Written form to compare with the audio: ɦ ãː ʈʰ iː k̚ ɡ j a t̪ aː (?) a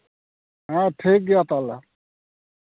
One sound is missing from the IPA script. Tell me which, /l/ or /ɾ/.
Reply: l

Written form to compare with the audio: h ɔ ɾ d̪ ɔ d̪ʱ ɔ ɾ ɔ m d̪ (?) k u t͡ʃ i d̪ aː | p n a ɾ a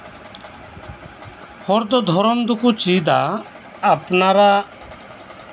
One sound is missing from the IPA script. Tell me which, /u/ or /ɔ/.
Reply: u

